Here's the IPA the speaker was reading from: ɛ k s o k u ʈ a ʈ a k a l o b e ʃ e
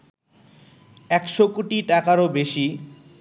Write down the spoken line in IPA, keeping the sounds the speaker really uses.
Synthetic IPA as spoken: ɛ k ʃ o k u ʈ i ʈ a k a ɾ o b e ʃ i